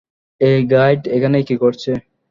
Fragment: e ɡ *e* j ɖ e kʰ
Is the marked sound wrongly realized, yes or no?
yes